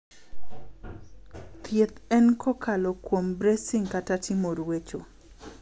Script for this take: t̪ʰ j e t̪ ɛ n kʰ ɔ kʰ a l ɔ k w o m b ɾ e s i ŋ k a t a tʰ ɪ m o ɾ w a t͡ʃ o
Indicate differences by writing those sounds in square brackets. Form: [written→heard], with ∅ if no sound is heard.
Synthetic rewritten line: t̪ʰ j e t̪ ɛ n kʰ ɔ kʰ a l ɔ k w o m b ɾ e s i ŋ k a t a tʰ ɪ m o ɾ w [a→e] t͡ʃ o

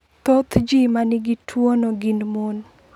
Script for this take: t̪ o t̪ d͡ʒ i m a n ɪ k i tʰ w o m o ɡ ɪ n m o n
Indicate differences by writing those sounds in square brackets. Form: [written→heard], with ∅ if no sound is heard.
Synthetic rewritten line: t̪ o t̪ d͡ʒ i m a n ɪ [k→ɡ] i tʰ w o [m→n] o ɡ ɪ n m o n

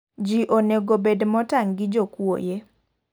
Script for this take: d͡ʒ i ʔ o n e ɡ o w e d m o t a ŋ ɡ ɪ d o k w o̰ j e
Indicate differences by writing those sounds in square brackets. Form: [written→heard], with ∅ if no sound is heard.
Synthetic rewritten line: d͡ʒ i ʔ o n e ɡ o [w→b] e d m [o→ɔ] t a ŋ ɡ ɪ [d→d͡ʒ] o k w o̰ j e

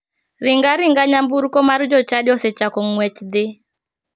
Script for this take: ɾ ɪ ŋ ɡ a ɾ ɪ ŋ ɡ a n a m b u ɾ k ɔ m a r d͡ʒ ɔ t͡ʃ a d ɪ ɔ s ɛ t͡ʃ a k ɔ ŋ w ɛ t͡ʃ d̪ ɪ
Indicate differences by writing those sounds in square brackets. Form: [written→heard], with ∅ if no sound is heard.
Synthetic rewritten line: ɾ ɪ ŋ ɡ a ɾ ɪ ŋ ɡ a [n→ɲ] a m b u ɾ k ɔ m a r d͡ʒ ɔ t͡ʃ a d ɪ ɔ s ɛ t͡ʃ a k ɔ ŋ w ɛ t͡ʃ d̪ ɪ

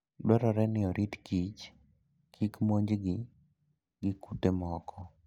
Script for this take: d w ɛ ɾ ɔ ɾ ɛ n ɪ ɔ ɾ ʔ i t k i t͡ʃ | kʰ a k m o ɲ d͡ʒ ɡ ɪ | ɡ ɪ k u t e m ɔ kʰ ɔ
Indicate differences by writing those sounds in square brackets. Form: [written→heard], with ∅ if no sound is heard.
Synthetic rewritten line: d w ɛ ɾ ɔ ɾ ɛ n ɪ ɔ ɾ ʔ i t k i t͡ʃ | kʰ [a→i] k m o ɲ d͡ʒ ɡ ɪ | ɡ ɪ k u t e m ɔ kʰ ɔ

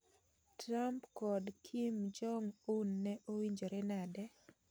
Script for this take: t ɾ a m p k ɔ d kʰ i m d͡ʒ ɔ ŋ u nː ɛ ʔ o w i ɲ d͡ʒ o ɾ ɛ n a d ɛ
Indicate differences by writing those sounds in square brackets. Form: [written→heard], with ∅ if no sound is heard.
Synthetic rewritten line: t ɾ a m p k ɔ d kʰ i m d͡ʒ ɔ ŋ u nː ɛ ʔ o w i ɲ d͡ʒ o ɾ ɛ n a d ɛ

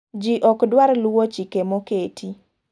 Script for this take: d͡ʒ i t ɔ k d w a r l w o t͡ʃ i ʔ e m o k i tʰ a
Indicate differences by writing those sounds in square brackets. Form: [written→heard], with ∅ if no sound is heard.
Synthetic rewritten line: d͡ʒ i [t→ʔ] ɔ k d w a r l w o t͡ʃ i [ʔ→k] e m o k [i→e] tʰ [a→i]

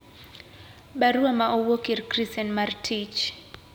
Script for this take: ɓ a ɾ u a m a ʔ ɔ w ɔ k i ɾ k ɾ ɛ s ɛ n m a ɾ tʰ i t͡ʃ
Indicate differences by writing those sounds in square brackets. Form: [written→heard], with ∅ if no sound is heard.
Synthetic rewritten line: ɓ a ɾ u a m a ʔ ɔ w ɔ k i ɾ k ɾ [ɛ→i] s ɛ n m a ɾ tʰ i t͡ʃ

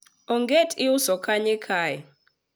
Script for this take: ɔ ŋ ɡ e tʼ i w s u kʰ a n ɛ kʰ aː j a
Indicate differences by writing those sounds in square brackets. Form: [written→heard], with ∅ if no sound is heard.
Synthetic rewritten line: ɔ ŋ ɡ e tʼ i [w→u] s [u→ɔ] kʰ a [n→ɲ] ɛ kʰ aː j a

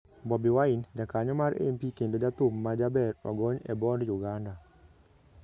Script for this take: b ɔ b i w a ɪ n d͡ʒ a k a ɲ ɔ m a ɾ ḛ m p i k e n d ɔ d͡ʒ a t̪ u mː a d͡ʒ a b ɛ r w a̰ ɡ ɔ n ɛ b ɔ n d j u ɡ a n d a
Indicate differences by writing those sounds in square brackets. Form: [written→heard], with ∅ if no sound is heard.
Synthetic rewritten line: b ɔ b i w a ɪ n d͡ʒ a k a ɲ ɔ m a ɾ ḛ m p i k e n d [ɔ→o] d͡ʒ a t̪ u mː a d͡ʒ a b ɛ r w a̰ ɡ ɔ [n→ɲ] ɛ b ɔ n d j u ɡ a n d a

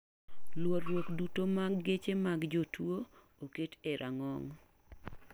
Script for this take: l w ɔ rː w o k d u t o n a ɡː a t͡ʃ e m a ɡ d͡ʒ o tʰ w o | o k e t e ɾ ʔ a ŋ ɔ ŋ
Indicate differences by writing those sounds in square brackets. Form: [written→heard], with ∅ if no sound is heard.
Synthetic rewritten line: l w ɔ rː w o k d u t o [n→m] a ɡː [a→e] t͡ʃ e m a ɡ d͡ʒ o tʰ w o | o k e t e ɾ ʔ a ŋ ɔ ŋ

